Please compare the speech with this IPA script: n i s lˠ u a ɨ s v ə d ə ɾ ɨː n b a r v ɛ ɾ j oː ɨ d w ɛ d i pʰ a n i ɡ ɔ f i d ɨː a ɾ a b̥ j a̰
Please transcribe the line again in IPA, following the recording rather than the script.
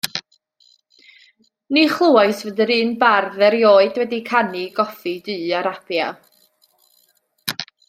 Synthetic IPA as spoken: n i χ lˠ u a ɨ s v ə d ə ɾ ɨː n b a r ð ɛ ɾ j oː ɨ d w ɛ d i kʰ a n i ɡ ɔ f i d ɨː a ɾ a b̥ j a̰

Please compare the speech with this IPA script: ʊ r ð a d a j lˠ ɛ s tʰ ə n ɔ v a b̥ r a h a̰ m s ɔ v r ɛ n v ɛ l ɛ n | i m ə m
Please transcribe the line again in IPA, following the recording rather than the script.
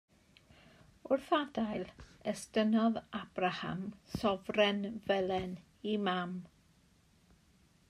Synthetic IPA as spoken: ʊ r θ a d a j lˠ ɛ s t ə n ɔ ð a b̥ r a h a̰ m s ɔ v r ɛ n v ɛ l ɛ n | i m a m

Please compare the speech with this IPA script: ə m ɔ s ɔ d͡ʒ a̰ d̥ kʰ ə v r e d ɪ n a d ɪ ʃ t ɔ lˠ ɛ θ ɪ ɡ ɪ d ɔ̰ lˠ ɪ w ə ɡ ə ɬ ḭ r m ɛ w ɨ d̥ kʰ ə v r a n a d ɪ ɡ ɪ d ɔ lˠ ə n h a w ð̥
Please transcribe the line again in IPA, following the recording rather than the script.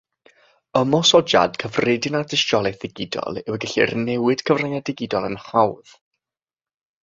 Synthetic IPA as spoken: ə m ɔ s ɔ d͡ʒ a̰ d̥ kʰ ə v r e d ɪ n a d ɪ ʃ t ɔ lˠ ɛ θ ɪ ɡ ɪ d ɔ̰ lˠ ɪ w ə ɡ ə ɬ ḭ r n ɛ w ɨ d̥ kʰ ə v r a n a d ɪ ɡ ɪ d ɔ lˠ ə n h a w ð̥

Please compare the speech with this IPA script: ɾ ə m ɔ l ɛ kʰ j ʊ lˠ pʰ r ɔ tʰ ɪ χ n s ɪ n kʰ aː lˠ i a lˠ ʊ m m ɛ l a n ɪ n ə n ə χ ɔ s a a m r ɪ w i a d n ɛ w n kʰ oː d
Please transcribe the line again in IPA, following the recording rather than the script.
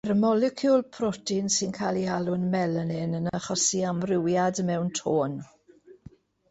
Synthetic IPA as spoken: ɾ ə m ɔ l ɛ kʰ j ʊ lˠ pʰ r ɔ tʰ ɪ n s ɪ n kʰ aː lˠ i a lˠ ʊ n m ɛ l ə n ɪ n ə n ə χ ɔ s i a m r ɪ w j a d m ɛ w n tʰ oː n

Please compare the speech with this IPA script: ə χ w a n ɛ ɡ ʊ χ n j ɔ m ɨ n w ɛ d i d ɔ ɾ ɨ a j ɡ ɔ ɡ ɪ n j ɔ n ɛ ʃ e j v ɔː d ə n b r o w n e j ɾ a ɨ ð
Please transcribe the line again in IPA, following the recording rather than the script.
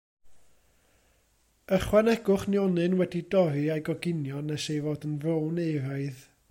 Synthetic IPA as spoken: ə χ w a n ɛ ɡ ʊ χ n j ɔ n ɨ n w ɛ d i d ɔ ɾ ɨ a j ɡ ɔ ɡ ɪ n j ɔ n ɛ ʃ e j v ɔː d ə n v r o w n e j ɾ a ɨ ð

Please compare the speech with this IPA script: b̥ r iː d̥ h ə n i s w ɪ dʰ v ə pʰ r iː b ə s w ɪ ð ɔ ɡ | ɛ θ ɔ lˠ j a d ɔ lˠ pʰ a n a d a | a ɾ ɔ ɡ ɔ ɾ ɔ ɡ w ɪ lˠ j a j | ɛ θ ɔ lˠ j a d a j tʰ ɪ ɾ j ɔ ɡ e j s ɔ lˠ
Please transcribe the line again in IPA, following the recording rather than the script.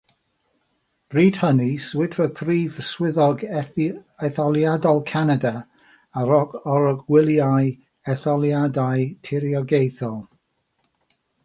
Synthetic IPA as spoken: b̥ r iː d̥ h ə n i s w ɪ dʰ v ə pʰ r iː v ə s w ɪ ð ɔ ɡ | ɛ θ ɔ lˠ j a d ɔ lˠ kʰ a n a d a | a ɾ ɔ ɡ ɔ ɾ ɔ ɡ w ɪ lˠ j a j | ɛ θ ɔ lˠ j a d a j tʰ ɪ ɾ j ɔ ɡ e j θ ɔ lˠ

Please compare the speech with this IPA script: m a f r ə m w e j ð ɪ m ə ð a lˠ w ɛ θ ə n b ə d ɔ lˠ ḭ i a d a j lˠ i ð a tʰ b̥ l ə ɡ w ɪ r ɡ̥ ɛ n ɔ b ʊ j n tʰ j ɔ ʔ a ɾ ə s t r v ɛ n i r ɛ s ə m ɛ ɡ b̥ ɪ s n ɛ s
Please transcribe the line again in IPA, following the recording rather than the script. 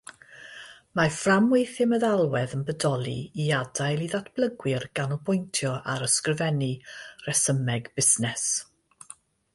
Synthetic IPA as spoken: m a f r a m w e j θ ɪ m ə ð a lˠ w ɛ ð ə n b ə d ɔ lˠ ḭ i a d a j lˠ i ð a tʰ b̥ l ə ɡ w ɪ r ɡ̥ a n ɔ b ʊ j n tʰ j ɔ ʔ a ɾ ə s k r v ɛ n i r ɛ s ə m ɛ ɡ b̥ ɪ s n ɛ s

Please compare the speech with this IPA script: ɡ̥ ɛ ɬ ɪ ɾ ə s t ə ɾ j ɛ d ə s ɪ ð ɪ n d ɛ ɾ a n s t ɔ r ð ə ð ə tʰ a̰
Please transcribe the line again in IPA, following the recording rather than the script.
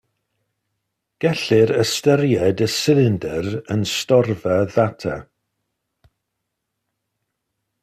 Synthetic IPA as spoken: ɡ̥ ɛ ɬ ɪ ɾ ə s t ə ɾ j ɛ d ə s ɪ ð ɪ n d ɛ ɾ ə n s t ɔ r v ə ð a tʰ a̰

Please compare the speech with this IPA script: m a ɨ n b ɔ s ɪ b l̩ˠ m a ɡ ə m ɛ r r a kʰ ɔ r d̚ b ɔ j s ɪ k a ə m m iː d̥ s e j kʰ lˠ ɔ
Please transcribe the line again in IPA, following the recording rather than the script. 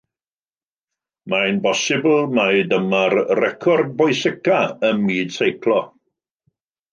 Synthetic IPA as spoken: m a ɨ n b ɔ s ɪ b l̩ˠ m a d ə m a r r ɛ kʰ ɔ r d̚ b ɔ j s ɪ k a ə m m iː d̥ s e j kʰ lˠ ɔ

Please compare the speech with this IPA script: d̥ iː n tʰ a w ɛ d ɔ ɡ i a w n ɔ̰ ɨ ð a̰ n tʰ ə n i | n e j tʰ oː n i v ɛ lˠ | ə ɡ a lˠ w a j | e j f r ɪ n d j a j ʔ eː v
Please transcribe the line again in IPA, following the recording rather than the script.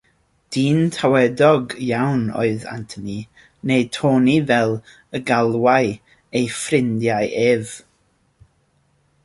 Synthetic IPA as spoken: d̥ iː n tʰ a w ɛ d ɔ ɡ j a w n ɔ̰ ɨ ð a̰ n tʰ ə n i | n e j tʰ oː n i v ɛ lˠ | ə ɡ a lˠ w a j | e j f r ɪ n d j a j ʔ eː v

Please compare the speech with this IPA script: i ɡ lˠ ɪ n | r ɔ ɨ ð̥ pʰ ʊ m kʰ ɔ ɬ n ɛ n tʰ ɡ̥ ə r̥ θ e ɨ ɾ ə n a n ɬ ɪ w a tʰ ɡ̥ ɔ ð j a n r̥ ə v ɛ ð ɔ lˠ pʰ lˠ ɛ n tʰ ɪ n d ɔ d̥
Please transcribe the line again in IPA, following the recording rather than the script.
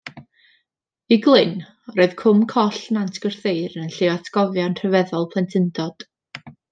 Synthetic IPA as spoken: i ɡ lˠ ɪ n | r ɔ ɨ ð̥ kʰ ʊ m kʰ ɔ ɬ n a n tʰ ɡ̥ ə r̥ θ e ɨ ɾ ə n ə n ɬ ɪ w a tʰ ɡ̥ ɔ v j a n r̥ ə v ɛ ð ɔ lˠ pʰ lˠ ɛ n tʰ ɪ n d ɔ d̥

